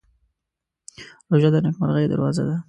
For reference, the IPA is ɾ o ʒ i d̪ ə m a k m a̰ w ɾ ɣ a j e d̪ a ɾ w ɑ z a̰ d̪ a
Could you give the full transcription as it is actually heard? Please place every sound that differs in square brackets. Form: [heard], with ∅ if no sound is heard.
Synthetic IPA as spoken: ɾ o ʒ [a] d̪ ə [n] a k m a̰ [∅] ɾ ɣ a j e d̪ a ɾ w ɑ z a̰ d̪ a